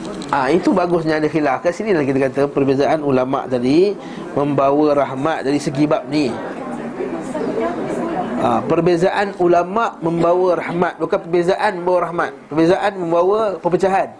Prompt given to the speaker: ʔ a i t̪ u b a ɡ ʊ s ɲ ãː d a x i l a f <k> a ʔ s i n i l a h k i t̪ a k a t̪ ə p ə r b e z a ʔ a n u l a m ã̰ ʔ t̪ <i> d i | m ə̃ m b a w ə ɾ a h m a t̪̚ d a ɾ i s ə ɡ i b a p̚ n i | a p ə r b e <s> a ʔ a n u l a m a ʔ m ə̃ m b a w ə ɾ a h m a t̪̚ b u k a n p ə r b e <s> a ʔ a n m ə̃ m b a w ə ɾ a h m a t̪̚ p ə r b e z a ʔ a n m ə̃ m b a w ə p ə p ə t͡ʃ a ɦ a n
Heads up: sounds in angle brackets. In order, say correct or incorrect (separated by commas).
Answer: correct, incorrect, incorrect, incorrect